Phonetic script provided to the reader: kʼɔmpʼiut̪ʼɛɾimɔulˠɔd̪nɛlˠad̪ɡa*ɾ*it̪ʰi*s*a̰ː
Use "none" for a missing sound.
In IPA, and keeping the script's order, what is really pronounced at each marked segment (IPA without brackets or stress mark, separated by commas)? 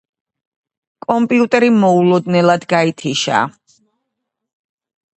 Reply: none, ʃ